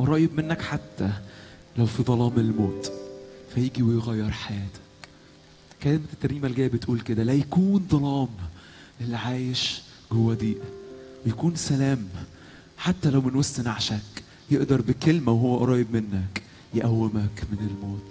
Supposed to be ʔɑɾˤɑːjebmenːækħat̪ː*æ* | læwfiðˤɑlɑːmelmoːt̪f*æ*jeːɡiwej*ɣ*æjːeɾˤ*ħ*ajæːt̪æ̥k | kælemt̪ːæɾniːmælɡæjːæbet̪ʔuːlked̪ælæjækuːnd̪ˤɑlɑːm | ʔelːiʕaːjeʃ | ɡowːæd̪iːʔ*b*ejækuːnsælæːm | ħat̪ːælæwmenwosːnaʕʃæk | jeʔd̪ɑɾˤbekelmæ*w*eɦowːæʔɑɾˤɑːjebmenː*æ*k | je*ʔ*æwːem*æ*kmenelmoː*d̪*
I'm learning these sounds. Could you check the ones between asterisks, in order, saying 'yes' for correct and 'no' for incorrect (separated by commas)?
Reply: yes, yes, yes, yes, no, yes, yes, yes, yes, no